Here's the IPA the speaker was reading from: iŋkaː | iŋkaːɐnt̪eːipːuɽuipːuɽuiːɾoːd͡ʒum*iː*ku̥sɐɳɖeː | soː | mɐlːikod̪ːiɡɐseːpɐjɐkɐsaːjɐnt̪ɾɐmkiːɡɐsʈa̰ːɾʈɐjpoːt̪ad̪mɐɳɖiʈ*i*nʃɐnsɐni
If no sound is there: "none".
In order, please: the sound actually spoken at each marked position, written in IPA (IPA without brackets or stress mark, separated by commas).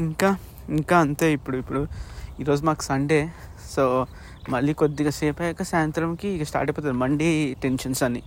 aː, e